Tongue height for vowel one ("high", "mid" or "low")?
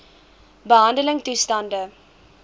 mid